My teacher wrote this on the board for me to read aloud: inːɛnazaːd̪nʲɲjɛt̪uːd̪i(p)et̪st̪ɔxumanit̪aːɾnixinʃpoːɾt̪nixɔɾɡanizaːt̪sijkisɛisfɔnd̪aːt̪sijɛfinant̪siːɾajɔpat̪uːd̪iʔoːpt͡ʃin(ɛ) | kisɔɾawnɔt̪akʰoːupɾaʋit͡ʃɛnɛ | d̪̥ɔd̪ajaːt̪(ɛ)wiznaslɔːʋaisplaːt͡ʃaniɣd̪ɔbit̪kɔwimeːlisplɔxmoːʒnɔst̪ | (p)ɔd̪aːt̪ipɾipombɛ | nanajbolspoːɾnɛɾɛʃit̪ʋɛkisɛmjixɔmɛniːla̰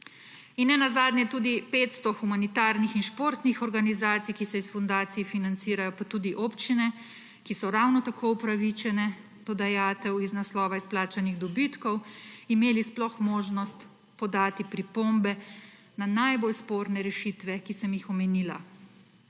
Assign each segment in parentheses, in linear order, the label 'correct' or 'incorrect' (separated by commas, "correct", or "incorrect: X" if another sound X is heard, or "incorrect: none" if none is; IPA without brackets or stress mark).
correct, correct, correct, correct